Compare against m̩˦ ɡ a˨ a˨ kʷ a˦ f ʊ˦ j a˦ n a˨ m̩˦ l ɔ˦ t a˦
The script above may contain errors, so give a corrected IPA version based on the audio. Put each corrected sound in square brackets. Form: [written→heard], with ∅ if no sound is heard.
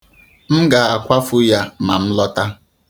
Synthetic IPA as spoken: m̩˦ ɡ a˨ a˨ kʷ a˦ f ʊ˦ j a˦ [n→m] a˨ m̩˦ l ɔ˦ t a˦